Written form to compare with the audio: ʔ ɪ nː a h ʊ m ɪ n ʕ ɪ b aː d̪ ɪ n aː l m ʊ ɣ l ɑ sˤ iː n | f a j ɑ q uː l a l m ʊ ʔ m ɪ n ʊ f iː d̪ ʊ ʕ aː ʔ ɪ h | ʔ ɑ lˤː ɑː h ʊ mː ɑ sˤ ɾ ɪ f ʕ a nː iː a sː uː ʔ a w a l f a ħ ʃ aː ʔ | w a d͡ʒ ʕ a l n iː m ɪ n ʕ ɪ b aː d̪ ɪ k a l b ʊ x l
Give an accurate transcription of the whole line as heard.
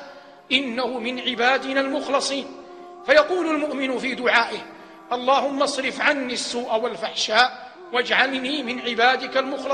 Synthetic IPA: ʔ ɪ nː a h ʊ m ɪ n ʕ ɪ b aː d̪ ɪ n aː l m ʊ x l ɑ sˤ iː n | f a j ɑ q uː l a l m ʊ ʔ m ɪ n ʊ f iː d̪ ʊ ʕ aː ʔ ɪ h | ʔ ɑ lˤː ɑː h ʊ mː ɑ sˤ ɾ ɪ f ʕ a nː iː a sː uː ʔ a w a l f a ħ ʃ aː ʔ | w a d͡ʒ ʕ a l n iː m ɪ n ʕ ɪ b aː d̪ ɪ k a l m ʊ x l